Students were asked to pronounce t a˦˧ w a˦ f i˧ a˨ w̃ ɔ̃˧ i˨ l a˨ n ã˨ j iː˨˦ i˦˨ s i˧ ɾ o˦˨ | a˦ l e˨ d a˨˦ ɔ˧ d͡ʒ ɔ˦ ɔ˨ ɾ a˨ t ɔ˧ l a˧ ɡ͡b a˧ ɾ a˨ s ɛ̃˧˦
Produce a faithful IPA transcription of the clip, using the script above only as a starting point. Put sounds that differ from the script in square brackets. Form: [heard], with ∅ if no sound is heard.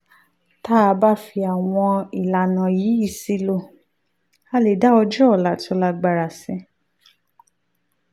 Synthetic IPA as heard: t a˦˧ [b] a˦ f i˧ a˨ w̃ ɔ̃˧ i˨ l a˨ n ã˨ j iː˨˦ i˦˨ s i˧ [l] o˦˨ | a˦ l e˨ d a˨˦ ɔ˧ d͡ʒ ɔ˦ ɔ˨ [l] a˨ t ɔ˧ l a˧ ɡ͡b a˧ ɾ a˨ s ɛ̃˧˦